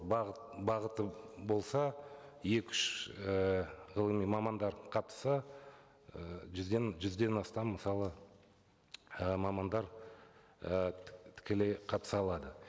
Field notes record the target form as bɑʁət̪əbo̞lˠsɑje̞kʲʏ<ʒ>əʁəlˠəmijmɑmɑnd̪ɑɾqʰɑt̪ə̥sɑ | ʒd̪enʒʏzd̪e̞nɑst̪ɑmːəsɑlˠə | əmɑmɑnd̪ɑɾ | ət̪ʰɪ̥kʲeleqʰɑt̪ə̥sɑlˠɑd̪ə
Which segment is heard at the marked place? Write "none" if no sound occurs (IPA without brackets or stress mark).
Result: ʃ